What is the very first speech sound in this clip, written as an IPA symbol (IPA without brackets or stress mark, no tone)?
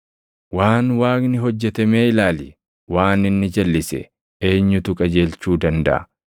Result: w